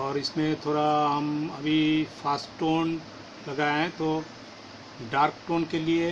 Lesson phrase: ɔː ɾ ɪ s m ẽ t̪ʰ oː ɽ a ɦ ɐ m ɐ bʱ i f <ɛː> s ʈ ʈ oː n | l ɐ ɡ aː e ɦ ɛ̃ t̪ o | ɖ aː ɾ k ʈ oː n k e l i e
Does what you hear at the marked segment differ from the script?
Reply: yes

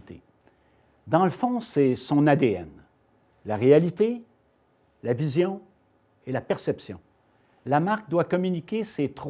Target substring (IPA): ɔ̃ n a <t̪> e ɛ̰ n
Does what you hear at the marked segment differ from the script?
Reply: yes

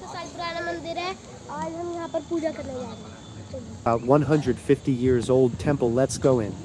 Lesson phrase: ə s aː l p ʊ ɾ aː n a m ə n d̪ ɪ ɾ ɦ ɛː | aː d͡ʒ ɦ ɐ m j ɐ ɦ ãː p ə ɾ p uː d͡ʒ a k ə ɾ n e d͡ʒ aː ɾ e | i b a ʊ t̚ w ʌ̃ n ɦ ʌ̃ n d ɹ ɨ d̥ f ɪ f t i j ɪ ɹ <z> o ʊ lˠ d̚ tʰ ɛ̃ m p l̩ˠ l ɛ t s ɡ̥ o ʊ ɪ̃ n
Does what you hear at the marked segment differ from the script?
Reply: no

